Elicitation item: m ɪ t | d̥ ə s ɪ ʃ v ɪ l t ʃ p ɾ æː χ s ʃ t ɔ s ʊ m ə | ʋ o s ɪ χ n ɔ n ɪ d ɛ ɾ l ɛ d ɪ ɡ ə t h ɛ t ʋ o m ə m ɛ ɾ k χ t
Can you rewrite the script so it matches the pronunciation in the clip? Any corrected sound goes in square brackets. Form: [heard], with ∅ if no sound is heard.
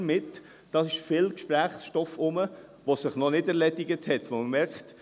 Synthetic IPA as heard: m ɪ t | d̥ [ɑ] s ɪ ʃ [f] ɪ l [k] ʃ p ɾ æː χ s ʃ t ɔ [f] ʊ m ə | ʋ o s ɪ χ n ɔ n ɪ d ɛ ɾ l ɛ d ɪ ɡ ə t h ɛ t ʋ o m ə m ɛ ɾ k χ t

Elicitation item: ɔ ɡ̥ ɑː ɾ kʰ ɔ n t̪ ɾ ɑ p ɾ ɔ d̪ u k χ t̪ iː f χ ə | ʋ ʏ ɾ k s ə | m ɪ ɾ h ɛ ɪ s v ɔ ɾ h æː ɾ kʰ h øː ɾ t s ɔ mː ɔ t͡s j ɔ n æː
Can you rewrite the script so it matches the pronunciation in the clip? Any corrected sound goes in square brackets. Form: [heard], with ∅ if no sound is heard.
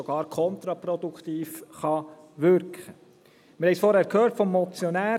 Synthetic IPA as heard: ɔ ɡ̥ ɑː ɾ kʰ ɔ n t̪ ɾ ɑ p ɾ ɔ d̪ u k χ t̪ iː f χ [ɑ] | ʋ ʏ ɾ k [χ] ə | m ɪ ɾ h ɛ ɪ s [f] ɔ ɾ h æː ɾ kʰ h øː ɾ t [f] ɔ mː ɔ t͡s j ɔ n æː

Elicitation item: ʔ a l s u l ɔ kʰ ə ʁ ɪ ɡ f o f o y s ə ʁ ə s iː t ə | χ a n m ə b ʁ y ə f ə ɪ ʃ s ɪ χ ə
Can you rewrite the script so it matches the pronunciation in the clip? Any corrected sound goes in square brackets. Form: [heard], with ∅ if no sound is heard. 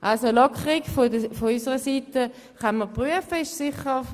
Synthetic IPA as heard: ʔ a l s [o] l ɔ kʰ ə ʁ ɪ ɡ f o f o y s ə ʁ ə s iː t ə | χ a n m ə [p] ʁ y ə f ə ɪ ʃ s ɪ χ ə

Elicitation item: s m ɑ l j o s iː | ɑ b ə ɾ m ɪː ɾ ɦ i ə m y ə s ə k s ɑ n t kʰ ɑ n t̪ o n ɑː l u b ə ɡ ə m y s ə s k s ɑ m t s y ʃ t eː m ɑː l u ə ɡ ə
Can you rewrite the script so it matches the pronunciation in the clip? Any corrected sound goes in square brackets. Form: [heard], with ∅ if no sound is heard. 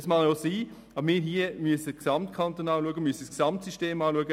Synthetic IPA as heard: s m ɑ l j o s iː | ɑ b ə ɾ m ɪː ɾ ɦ i ə m y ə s ə k s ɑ [m] t kʰ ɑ n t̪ o n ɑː l u [∅] ə ɡ ə m y s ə s k s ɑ m t s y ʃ t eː m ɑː l u ə ɡ ə

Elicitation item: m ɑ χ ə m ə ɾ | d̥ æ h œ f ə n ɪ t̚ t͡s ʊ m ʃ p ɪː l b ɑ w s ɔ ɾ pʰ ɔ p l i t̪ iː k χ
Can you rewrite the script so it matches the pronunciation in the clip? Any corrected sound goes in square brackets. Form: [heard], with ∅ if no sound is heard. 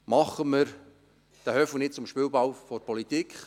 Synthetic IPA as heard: m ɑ χ ə m ə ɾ | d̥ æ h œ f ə n ɪ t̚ t͡s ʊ m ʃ p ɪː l b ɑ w [f] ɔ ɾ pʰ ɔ [∅] l i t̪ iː k χ

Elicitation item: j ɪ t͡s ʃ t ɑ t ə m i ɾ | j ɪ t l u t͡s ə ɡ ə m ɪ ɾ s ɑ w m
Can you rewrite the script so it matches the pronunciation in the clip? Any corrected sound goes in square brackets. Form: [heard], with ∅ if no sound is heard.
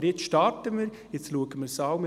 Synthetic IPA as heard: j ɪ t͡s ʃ t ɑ t ə m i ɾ | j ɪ [t͡s] l u [∅] ə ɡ ə m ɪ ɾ s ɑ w m

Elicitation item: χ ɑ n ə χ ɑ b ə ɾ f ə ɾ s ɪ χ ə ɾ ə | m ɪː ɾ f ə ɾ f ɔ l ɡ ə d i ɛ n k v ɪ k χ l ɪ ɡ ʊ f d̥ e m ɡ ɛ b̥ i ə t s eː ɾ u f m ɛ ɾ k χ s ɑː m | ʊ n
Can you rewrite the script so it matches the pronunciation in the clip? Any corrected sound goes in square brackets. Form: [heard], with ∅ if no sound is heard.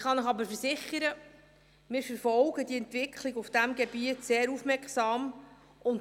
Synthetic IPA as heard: χ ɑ n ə χ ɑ b ə ɾ f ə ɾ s ɪ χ ə ɾ ə | m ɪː ɾ f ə ɾ f ɔ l ɡ ə d i ɛ n [t] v ɪ k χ l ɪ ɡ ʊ f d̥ [æ] m ɡ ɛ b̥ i ə t s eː ɾ u f m ɛ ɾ k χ s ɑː m | ʊ n

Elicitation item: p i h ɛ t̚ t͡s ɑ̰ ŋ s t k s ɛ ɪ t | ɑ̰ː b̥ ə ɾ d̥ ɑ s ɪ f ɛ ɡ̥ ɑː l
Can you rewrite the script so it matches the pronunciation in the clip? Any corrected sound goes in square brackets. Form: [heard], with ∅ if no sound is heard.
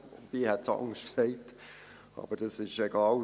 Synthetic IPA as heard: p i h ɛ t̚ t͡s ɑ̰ ŋ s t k s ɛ ɪ t | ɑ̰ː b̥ ə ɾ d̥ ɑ s ɪ [ʃ] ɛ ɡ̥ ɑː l

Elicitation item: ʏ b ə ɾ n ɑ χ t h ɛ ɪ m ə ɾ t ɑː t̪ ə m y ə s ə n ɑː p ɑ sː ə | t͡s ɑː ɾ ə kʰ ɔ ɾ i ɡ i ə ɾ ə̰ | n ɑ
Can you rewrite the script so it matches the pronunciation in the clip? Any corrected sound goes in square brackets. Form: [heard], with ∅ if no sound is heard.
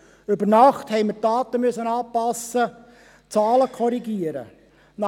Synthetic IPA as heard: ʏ b ə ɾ n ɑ χ t h ɛ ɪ m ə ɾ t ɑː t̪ ə m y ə s ə n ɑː p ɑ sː ə | t͡s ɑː [l] ə kʰ ɔ ɾ i ɡ i ə ɾ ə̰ | n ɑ

